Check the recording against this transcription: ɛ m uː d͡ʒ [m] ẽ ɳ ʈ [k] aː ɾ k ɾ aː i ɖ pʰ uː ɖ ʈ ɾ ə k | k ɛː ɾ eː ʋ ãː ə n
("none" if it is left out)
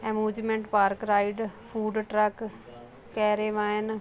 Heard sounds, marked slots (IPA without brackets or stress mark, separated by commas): m, p